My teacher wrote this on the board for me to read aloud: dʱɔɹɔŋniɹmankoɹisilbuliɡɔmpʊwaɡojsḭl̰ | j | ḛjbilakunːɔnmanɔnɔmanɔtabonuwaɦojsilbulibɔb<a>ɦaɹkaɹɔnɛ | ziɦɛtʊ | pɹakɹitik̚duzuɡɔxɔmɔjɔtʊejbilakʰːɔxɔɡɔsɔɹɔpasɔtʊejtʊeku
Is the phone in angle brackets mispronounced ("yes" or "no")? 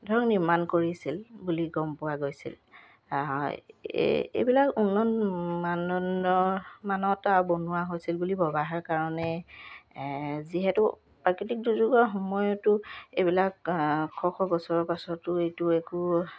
no